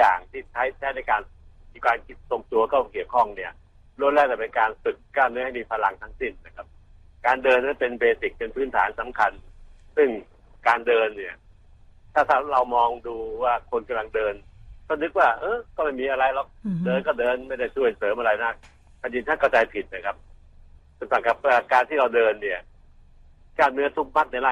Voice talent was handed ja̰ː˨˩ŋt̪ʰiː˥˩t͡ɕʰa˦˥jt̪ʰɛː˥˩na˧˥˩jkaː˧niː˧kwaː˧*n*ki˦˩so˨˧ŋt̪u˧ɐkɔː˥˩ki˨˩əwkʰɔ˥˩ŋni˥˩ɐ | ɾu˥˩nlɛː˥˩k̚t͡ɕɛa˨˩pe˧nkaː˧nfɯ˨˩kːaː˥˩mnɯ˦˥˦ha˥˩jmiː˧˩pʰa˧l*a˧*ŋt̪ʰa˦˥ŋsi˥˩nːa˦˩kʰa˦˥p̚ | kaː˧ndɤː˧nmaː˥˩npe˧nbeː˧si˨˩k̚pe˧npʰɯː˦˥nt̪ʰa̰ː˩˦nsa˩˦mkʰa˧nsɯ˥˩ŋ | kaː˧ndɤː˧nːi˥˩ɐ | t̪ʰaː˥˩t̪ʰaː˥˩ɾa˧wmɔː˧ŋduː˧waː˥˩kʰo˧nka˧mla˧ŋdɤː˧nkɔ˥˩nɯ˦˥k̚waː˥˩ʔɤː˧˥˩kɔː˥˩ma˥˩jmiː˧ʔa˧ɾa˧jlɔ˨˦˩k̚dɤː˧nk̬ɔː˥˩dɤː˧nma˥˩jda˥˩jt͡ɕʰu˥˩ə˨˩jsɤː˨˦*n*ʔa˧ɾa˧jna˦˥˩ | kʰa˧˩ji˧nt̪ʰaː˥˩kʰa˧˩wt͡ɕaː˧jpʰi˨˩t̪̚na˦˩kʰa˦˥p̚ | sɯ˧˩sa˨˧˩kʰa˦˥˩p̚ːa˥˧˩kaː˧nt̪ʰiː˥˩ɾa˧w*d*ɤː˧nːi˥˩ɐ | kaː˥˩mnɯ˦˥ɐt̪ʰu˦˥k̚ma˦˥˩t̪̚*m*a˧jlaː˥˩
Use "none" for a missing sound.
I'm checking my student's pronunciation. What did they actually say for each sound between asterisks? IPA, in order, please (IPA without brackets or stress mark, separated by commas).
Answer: n, a˧, m, d, n